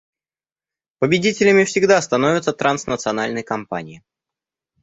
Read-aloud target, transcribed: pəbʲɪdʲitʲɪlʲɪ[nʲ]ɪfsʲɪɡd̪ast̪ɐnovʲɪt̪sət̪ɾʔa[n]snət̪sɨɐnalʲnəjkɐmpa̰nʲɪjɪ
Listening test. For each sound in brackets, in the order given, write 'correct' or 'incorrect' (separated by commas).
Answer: incorrect, correct